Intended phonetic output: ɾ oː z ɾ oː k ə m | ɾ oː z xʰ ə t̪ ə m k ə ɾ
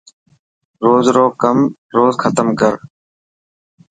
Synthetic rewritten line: ɾ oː z ɾ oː k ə m | ɾ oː z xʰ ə t̪ ə m k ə ɾ